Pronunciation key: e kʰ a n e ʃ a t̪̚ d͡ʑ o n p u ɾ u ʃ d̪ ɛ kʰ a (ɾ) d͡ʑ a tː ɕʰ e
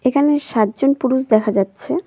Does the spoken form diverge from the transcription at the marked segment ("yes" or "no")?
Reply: yes